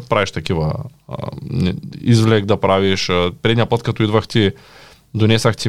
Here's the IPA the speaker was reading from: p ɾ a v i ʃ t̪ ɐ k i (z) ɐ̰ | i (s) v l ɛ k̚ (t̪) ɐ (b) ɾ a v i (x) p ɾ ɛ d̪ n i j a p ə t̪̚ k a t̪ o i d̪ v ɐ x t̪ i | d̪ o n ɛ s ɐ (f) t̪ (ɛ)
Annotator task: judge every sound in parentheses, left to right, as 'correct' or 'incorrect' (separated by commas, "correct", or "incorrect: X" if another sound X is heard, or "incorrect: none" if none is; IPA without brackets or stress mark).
incorrect: v, incorrect: z, incorrect: d̪, incorrect: p, incorrect: ʃ, incorrect: x, incorrect: i